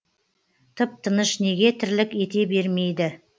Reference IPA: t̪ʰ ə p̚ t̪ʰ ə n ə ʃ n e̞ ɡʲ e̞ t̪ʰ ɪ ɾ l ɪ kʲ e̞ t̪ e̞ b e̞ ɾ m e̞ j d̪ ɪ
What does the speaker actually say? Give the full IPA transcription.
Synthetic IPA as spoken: t̪ʰ ə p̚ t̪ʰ ə n ə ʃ n e̞ ɡʲ e̞ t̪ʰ ɪ ɾ l ɪ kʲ e̞ t̪ e̞ b e̞ ɾ m e̞ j d̪ ɪ